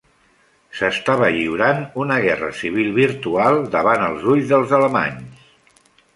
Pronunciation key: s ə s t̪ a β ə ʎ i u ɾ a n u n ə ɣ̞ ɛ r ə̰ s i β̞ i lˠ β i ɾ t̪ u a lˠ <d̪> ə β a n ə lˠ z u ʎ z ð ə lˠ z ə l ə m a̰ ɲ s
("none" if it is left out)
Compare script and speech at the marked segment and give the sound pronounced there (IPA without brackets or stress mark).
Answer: d̪